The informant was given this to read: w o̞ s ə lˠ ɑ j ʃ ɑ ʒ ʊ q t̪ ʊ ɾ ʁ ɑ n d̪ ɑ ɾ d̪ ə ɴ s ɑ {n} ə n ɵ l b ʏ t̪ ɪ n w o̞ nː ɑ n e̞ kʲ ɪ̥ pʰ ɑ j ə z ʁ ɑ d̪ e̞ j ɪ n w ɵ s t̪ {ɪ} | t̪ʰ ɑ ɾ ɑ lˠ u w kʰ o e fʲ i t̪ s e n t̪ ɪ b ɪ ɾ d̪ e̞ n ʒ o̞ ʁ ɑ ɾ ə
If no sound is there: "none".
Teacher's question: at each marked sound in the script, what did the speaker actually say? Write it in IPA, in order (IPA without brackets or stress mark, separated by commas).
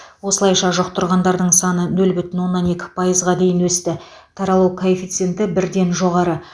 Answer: n, ɪ